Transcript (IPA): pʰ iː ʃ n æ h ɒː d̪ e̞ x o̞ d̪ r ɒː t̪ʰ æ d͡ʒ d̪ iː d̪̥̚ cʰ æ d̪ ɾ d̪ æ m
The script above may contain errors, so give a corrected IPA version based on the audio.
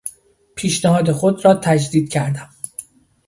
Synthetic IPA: pʰ iː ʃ n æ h ɒː d̪ e̞ x o̞ d̪ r ɒː t̪ʰ æ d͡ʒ d̪ iː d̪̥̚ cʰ æ ɾ d̪ æ m